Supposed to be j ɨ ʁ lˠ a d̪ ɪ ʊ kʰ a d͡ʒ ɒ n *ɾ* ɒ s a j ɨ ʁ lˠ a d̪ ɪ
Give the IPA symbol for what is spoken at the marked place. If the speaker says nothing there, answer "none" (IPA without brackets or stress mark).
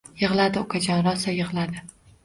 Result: ɾ